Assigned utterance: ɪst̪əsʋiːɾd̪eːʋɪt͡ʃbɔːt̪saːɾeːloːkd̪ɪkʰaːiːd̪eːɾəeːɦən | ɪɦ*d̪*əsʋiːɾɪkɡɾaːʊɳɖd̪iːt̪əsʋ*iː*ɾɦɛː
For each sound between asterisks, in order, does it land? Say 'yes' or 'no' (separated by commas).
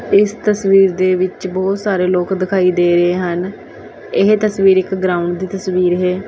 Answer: no, yes